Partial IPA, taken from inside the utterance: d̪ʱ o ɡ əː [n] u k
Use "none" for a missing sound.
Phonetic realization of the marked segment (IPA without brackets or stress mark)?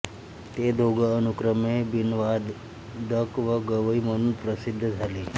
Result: n